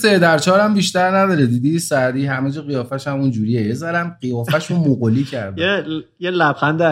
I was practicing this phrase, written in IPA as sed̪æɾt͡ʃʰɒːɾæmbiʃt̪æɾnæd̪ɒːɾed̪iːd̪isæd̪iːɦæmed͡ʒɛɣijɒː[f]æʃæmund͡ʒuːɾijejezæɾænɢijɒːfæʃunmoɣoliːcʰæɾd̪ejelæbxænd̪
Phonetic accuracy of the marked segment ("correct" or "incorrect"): correct